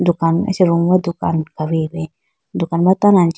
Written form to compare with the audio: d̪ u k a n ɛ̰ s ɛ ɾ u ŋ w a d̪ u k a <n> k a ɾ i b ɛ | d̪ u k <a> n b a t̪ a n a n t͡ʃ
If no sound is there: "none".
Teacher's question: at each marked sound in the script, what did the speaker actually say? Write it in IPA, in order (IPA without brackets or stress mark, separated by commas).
n, a